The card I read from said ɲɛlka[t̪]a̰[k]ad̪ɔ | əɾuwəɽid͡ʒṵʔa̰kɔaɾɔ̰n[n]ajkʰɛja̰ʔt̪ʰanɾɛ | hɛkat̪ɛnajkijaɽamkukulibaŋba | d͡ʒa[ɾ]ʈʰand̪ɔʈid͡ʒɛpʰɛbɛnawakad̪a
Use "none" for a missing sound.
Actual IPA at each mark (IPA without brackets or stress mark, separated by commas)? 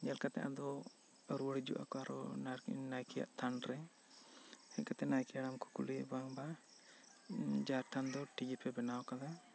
t̪, ʔ, n, ɾ